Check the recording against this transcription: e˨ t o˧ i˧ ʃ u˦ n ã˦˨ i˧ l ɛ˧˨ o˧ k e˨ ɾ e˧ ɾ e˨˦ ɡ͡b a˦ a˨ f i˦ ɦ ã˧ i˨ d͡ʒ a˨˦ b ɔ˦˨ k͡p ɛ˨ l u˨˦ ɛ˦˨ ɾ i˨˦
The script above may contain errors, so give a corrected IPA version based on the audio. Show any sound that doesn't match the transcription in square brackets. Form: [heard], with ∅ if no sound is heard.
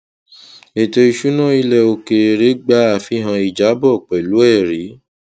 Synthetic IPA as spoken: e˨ t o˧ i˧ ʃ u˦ n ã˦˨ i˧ l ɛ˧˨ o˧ k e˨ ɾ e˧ ɾ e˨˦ ɡ͡b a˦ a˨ f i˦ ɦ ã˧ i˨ d͡ʒ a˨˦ b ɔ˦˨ k͡p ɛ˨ l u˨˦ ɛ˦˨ ɾ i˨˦